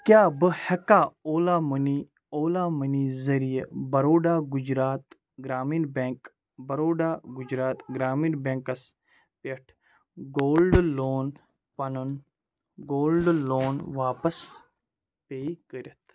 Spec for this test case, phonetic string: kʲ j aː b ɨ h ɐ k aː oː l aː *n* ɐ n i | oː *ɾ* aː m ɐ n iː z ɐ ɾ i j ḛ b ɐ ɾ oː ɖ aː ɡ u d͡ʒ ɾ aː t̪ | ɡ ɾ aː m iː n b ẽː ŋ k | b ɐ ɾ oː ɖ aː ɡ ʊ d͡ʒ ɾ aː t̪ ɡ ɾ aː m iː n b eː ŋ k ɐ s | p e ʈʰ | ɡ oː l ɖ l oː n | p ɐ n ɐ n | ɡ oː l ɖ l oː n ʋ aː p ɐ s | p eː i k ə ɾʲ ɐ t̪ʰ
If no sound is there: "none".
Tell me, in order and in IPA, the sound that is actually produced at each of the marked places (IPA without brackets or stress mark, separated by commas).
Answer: m, l